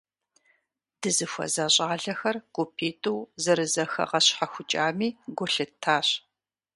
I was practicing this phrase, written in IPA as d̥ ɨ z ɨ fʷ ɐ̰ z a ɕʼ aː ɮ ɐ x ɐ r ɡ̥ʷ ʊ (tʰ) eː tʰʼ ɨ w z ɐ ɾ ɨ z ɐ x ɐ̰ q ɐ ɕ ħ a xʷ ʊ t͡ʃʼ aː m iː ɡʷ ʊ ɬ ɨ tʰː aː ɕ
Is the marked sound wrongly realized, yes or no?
yes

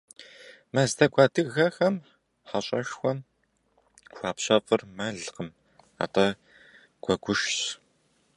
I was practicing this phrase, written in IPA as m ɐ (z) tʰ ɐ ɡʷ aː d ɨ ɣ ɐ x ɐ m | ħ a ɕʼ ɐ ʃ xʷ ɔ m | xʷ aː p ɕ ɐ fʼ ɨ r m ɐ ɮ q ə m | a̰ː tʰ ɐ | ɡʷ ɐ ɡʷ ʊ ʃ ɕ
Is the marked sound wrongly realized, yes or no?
no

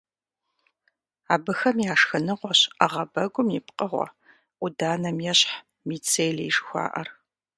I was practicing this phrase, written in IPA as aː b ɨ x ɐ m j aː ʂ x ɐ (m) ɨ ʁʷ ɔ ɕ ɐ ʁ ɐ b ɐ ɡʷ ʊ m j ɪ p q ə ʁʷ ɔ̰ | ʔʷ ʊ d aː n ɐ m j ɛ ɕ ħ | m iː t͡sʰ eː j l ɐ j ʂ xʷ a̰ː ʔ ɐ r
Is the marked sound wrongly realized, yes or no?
yes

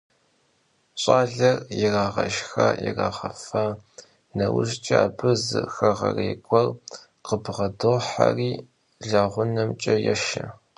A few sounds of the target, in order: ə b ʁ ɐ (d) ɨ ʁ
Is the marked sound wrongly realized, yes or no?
no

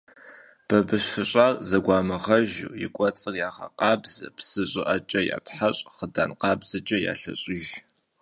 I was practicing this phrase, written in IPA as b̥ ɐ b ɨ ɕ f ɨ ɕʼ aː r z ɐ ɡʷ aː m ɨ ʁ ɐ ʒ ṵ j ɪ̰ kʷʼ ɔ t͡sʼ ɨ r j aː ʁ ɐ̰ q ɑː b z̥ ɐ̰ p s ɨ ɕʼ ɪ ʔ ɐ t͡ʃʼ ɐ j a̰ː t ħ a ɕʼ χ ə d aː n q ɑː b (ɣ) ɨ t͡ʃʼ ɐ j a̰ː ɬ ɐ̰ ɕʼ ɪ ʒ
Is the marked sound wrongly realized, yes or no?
yes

